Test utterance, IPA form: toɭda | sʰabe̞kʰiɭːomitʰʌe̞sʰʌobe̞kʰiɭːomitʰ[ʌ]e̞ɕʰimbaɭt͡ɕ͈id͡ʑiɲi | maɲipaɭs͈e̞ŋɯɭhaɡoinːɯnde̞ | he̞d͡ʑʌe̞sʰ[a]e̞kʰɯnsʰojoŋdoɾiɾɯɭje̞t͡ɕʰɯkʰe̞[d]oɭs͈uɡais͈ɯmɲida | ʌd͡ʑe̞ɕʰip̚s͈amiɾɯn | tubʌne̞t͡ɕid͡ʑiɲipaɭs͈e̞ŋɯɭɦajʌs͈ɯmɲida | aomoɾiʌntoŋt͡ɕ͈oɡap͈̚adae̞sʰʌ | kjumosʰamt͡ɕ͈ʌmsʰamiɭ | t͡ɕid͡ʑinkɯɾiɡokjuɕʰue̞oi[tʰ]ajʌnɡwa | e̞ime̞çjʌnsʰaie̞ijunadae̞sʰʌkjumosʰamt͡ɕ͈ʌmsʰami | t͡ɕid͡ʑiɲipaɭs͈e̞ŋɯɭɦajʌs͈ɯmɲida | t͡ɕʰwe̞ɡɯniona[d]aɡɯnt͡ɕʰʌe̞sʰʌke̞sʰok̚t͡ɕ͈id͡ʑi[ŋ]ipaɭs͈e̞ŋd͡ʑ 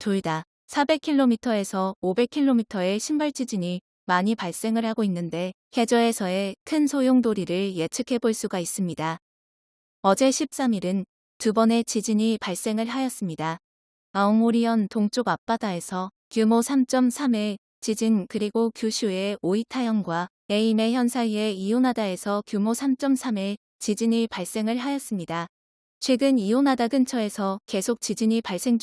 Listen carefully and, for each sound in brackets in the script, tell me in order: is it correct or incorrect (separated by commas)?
correct, incorrect, incorrect, correct, correct, incorrect